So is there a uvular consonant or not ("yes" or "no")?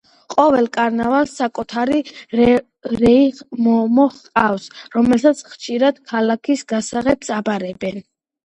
yes